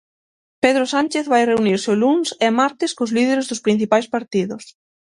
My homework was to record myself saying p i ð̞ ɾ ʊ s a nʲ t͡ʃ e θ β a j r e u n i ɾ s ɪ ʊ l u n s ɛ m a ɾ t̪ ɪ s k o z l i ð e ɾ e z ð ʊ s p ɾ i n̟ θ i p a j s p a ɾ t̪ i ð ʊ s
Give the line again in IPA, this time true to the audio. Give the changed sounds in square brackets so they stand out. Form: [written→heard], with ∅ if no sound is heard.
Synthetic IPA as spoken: p [i→e] ð̞ ɾ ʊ s a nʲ t͡ʃ e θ β a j r e u n i ɾ s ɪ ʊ l u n s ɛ m a ɾ t̪ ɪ s k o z l i ð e ɾ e z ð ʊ s p ɾ i n̟ θ i p a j s p a ɾ t̪ i ð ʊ s